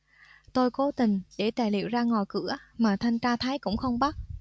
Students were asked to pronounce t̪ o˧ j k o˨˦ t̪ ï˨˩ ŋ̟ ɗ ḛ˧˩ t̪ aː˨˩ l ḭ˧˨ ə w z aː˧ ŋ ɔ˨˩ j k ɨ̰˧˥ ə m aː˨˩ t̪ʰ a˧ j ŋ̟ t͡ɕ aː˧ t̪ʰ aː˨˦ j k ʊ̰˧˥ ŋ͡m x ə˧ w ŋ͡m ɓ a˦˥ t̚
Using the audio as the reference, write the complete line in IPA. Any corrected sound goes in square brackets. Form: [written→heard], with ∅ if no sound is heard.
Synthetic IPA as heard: t̪ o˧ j k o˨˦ t̪ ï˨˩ ŋ̟ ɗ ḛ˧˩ t̪ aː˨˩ l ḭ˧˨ ə w z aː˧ ŋ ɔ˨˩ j k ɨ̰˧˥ ə m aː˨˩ t̪ʰ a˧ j ŋ̟ t͡ɕ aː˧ t̪ʰ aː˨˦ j k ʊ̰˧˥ ŋ͡m x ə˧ w ŋ͡m ɓ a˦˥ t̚